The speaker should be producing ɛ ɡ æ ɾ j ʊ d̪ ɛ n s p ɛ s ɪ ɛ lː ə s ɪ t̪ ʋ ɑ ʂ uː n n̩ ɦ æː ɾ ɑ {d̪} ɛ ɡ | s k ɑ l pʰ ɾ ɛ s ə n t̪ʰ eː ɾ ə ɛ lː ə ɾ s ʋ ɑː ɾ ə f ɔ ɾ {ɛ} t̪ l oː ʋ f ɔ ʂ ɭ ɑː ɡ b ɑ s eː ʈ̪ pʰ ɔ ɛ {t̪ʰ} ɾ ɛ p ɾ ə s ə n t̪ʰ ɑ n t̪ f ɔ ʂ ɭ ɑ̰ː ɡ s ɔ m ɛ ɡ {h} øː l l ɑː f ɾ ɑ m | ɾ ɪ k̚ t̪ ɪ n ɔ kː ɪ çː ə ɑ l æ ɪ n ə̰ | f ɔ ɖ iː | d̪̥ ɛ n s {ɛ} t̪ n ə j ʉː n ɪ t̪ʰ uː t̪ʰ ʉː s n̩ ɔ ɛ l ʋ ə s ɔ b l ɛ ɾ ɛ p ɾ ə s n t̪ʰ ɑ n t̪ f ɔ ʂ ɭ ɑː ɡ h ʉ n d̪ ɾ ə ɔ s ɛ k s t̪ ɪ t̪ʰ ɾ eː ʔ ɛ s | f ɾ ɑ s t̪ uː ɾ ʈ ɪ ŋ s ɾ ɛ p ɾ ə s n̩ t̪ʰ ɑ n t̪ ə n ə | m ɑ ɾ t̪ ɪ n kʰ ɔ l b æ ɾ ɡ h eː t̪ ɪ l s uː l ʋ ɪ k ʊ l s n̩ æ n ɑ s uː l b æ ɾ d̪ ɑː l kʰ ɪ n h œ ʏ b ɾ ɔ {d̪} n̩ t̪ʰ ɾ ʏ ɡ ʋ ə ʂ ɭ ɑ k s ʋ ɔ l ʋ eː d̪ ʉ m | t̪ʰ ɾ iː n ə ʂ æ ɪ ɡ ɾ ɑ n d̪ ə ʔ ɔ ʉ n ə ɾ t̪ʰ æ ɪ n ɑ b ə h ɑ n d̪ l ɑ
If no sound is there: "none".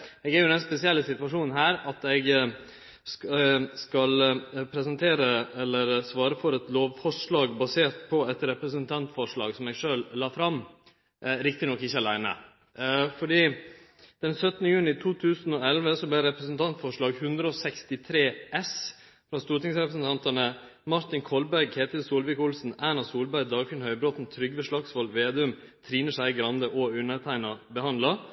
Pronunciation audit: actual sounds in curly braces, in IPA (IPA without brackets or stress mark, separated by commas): t̪, ɛ, t̪, ʂ, œ, t̪